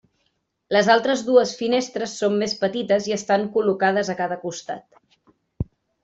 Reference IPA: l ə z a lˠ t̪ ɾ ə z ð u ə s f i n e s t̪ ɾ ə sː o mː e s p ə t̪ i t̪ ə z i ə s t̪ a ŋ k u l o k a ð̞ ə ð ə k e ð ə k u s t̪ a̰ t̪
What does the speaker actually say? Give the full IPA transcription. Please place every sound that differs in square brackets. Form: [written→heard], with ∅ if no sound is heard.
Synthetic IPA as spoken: l ə z a lˠ t̪ ɾ ə z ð u ə s f i n e s t̪ ɾ ə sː o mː e s p ə t̪ i t̪ ə z i ə s t̪ a ŋ k u l [o→u] k a ð̞ ə [ð→z] ə k [e→a] ð ə k u s t̪ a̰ t̪

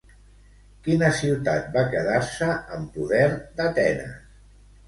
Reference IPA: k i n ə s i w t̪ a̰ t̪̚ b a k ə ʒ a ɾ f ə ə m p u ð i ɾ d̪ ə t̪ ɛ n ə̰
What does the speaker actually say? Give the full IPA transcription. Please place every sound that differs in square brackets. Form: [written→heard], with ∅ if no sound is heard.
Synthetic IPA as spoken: k i n ə s i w t̪ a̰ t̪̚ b a k ə [ʒ→ð] a ɾ [f→s] ə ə m p u ð [i→ɛ] ɾ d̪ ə t̪ ɛ n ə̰

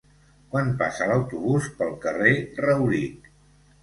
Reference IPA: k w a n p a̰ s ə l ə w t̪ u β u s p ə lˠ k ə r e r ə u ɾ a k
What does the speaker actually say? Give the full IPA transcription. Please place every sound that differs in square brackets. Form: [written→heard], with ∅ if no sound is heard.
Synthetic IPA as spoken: k w a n p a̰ s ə l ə w t̪ u β u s p ə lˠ k ə r e r ə [u→w] ɾ [a→i] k

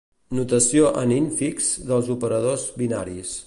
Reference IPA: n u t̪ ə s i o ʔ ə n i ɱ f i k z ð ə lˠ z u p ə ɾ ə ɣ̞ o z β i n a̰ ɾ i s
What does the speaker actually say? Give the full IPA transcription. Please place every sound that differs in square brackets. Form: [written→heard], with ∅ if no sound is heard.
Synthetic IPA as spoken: n u t̪ ə s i o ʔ ə n i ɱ f i k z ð ə lˠ z u p ə ɾ ə [ɣ̞→ð̞] o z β i n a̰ ɾ i s

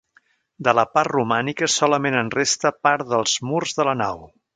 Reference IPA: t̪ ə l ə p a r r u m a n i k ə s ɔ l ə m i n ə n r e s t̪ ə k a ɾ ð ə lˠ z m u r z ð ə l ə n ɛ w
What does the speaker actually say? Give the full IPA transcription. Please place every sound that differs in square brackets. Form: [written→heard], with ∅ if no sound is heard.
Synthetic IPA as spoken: [t̪→d̪] ə l ə p a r r u m a n i k ə s ɔ l ə m [i→e] n ə n r e s t̪ ə [k→p] a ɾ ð ə lˠ z m u r z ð ə l ə n [ɛ→a] w

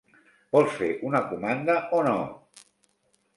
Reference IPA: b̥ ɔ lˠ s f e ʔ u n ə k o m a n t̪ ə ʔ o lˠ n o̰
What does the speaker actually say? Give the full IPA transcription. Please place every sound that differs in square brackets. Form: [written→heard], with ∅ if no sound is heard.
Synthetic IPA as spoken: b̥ ɔ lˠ s f e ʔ u n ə k [o→u] m a n [t̪→d̪] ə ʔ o [lˠ→∅] n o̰

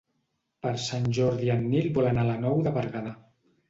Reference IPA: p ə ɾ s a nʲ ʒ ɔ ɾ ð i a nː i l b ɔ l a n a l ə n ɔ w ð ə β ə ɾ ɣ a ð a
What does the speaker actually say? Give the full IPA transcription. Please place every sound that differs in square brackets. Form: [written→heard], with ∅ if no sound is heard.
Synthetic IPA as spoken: p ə ɾ s a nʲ ʒ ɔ ɾ ð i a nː i l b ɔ l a n a l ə n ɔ w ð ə β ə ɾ ɣ a ð a

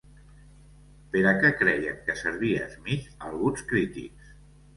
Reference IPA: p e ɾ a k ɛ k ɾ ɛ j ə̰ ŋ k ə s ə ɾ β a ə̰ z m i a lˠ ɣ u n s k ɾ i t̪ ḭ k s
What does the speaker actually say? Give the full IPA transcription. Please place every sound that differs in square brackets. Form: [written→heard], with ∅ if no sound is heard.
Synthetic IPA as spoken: p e ɾ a k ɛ k ɾ ɛ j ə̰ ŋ k ə s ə ɾ β [a→i] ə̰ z m i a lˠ ɣ u n s k ɾ i t̪ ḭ k s

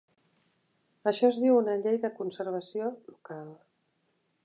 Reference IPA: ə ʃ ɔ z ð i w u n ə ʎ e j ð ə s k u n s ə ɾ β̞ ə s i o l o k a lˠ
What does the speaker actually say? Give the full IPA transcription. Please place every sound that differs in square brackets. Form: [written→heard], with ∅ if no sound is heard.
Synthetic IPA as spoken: ə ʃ ɔ z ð i w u n ə ʎ e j ð ə [s→∅] k u n s ə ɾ β̞ ə s i o l [o→u] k a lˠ

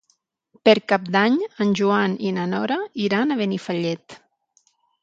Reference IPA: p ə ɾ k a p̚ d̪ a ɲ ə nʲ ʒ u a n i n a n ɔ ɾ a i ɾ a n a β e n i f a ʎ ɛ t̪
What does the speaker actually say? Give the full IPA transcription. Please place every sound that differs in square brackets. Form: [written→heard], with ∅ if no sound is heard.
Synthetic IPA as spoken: p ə ɾ k a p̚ d̪ a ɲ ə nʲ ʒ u a n i n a n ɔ ɾ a i ɾ a n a β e n i f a ʎ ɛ t̪

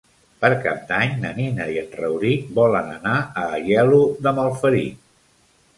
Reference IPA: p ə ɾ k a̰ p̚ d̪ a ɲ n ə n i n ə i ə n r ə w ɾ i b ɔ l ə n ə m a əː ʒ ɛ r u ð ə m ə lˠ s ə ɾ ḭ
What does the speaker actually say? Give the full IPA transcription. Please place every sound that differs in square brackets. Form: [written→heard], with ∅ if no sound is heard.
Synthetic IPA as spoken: p ə ɾ k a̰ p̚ d̪ a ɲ n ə n i n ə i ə n r ə w ɾ i b ɔ l ə n ə [m→n] a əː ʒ ɛ [r→l] u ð ə m ə lˠ [s→f] ə ɾ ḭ

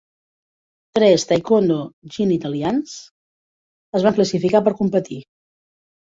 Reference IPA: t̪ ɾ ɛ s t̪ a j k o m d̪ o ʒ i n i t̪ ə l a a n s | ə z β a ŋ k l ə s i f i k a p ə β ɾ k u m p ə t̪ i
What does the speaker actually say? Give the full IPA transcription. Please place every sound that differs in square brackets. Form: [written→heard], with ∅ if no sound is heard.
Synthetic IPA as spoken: t̪ ɾ ɛ s t̪ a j k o [m→n] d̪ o ʒ i n i t̪ ə l [a→i] a n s | ə z β a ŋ k l ə s i f i k a p ə [β→∅] ɾ k u m p ə t̪ i

